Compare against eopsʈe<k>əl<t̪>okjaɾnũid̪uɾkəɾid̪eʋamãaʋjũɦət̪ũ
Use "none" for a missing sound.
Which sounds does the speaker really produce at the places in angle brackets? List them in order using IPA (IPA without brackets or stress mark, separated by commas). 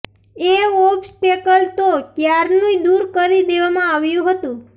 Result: k, t̪